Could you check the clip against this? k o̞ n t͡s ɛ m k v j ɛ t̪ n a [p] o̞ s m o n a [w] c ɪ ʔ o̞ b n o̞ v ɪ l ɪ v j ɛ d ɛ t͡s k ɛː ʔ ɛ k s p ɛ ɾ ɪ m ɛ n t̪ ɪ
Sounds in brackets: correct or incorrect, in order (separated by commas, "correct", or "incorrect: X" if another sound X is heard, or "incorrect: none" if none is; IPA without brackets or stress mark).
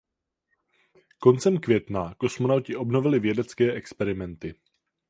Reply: incorrect: k, correct